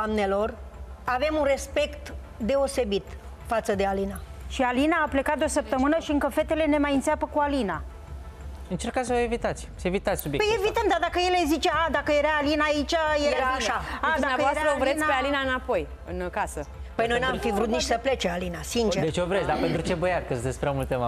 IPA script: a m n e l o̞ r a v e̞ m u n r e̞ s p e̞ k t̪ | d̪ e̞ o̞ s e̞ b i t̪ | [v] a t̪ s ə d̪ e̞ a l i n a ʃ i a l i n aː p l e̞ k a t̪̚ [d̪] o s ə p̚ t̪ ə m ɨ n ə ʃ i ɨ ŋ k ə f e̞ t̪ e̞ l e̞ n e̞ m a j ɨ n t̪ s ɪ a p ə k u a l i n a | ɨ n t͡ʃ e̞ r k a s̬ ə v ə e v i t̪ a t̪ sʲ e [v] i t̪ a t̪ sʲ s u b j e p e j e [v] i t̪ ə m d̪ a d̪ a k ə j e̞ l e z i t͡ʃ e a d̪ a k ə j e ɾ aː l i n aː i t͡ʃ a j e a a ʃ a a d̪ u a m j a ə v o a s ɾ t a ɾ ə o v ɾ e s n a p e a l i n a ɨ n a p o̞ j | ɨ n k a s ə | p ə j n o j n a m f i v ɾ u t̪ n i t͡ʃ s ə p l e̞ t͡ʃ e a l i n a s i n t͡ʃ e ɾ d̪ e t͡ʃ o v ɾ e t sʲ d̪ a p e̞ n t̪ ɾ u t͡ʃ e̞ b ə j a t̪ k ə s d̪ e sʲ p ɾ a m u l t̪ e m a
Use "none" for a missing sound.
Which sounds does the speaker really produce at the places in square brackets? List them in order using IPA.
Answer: f, d̪, v, v

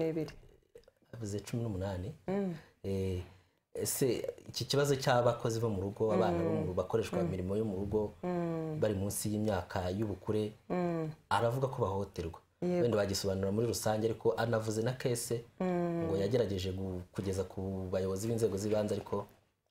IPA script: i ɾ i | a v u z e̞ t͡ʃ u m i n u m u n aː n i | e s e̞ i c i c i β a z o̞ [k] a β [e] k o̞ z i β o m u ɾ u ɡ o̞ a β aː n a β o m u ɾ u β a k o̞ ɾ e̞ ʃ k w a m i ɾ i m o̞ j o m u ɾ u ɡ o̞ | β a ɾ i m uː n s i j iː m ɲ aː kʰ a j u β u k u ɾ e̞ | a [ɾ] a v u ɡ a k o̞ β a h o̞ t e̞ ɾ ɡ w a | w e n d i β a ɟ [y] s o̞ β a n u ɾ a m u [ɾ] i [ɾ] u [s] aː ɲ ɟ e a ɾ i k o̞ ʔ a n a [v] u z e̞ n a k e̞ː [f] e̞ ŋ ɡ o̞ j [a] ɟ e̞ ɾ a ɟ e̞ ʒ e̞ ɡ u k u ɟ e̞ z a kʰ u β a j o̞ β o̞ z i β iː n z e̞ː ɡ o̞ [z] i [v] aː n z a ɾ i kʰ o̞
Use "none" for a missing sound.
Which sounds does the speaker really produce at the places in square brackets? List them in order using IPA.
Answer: c, a, ɾ, i, ɾ, ɾ, s, v, s, a, z, β

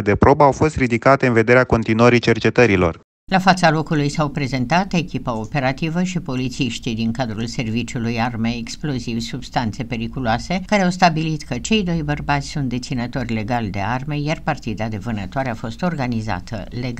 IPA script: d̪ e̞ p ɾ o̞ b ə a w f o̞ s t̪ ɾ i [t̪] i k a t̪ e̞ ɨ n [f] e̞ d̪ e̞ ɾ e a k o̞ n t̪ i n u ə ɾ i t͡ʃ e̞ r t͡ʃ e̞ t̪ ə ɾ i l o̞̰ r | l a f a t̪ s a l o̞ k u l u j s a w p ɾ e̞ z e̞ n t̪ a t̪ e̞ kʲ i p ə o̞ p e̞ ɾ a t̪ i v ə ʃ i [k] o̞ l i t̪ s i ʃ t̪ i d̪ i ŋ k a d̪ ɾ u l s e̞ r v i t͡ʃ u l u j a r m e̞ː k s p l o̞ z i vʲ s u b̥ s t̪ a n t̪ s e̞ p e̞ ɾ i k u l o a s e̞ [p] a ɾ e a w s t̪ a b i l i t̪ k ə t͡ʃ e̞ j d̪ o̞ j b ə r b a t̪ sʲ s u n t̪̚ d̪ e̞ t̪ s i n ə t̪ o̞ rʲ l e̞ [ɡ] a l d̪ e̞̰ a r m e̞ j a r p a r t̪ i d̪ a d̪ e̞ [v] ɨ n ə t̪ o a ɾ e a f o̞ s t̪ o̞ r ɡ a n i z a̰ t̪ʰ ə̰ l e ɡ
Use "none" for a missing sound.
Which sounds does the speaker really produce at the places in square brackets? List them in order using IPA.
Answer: d̪, v, p, k, ɡ, v

